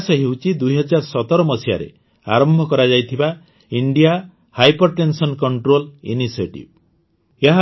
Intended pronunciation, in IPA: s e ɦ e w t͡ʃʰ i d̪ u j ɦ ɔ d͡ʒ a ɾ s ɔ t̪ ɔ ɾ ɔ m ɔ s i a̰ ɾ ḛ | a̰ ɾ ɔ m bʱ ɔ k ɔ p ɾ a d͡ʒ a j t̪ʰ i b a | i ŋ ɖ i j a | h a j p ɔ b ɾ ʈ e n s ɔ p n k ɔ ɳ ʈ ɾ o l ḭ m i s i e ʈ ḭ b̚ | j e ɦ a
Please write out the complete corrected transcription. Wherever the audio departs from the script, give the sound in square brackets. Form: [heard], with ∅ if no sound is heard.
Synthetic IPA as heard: s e ɦ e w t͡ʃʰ i d̪ u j ɦ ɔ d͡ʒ a ɾ s ɔ t̪ ɔ ɾ ɔ m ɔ s i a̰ ɾ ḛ | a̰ ɾ ɔ m bʱ ɔ k ɔ [∅] ɾ a d͡ʒ a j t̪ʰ i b a | i [ɳ] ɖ i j a | h a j p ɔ [∅] ɾ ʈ e n s ɔ [∅] n k ɔ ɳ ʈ ɾ o l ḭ [n] i s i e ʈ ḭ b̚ | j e ɦ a